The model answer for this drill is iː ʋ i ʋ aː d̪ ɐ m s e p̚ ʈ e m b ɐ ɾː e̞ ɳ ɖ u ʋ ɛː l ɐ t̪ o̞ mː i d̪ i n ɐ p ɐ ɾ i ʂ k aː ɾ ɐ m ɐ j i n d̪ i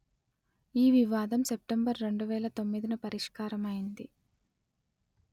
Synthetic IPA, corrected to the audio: iː ʋ i ʋ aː d̪ ɐ m s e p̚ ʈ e m b ɐ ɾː e̞ ɳ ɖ u ʋ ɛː l ɐ t̪ o̞ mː i d̪ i n ɐ p ɐ ɾ i ʂ k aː ɾ ɐ m ɐ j i n d̪ i

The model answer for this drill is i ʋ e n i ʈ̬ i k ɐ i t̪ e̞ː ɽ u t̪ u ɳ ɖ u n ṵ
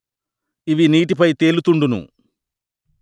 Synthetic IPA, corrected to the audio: i ʋ i n iː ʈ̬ i p ɐ j t̪ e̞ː l u t̪ u ɳ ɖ u n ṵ

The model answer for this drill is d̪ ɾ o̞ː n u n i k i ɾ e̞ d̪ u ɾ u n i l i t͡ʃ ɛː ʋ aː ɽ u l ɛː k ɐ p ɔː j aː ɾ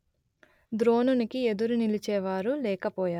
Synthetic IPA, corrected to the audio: d̪ ɾ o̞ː n u n i k i e̞ d̪ u ɾ u n i l i t͡ʃ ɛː ʋ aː ɾ u l ɛː k ɐ p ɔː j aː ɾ

